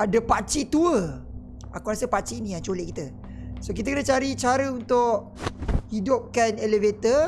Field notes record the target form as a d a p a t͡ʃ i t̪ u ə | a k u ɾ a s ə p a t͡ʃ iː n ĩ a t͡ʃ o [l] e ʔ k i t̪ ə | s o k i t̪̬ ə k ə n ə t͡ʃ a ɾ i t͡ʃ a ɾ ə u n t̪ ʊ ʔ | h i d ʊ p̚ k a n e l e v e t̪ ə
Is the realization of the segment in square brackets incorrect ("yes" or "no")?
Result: no